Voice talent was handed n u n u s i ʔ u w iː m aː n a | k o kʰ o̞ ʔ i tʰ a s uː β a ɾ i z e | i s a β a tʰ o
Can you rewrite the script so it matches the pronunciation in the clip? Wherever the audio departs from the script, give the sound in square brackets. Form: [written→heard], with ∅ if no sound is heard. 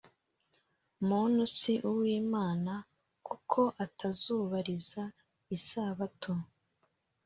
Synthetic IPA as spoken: [n→m] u n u s i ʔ u w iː m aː n a | k [o→u] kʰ o̞ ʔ [i→a] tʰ a [s→z] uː β a ɾ i z [e→a] | i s a β a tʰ o